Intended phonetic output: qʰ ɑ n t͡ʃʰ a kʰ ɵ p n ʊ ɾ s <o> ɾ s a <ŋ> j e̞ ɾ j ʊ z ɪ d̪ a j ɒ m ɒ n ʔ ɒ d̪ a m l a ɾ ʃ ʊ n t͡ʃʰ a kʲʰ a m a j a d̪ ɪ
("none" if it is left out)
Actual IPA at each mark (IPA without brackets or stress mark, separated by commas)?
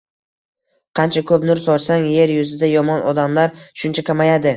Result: ɒ, ŋ